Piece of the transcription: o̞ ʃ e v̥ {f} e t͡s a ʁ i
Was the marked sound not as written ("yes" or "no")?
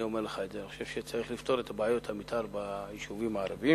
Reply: yes